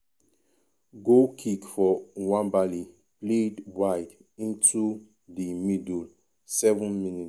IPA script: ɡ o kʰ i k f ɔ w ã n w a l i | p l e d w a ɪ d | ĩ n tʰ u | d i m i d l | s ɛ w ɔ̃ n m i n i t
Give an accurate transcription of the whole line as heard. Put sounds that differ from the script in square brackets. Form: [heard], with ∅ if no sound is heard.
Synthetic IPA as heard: ɡ o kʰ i k f ɔ w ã n [b] a l i | p l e d w a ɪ d | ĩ n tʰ u | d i m i d l | s ɛ [v] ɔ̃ n m i n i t

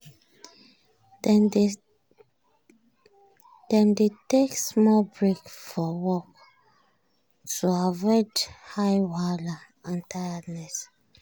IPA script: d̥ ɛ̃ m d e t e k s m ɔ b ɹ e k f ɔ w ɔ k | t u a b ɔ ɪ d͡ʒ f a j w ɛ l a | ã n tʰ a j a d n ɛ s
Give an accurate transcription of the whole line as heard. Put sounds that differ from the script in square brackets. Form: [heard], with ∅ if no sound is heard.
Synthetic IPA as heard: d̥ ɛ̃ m d e t e k s m ɔ b ɹ e k f ɔ w ɔ k | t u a [v] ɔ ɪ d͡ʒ [h] a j w [a] l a | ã n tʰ a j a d n ɛ s

